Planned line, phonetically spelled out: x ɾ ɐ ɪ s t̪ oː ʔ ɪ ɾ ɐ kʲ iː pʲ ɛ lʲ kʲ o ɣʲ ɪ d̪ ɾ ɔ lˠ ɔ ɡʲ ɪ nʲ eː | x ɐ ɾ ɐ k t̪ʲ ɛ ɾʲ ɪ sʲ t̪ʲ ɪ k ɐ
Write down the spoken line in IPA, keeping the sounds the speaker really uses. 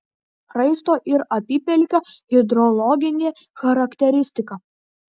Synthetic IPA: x ɾ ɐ ɪ s t̪ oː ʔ ɪ ɾ ɐ pʲ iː pʲ ɛ lʲ kʲ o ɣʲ ɪ d̪ ɾ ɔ lˠ ɔ ɡʲ ɪ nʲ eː | x ɐ ɾ ɐ k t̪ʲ ɛ ɾʲ ɪ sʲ t̪ʲ ɪ k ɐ